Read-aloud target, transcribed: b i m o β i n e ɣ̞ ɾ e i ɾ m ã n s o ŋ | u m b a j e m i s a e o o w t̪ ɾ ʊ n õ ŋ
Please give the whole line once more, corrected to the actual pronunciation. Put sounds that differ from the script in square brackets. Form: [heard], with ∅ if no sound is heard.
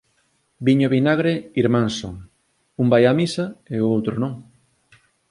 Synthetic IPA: b i [ɲ] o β i n [a] ɣ̞ ɾ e i ɾ m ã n s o ŋ | u m b a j [a] m i s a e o o w t̪ ɾ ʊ n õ ŋ